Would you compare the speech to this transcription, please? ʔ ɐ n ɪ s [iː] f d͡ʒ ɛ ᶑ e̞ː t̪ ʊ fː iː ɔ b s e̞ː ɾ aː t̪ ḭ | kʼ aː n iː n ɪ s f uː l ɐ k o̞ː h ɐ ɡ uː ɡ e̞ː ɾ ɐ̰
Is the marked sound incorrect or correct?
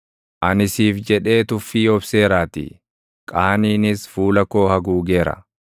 correct